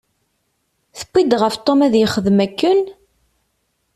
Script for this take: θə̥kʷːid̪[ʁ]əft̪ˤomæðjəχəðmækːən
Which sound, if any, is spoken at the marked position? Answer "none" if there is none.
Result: ʁ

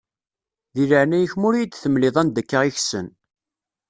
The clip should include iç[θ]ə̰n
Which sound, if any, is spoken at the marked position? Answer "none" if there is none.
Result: s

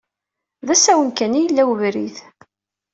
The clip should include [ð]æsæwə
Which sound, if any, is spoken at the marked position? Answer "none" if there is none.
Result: ð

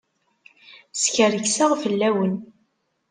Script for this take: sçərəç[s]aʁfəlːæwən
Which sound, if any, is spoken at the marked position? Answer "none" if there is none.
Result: s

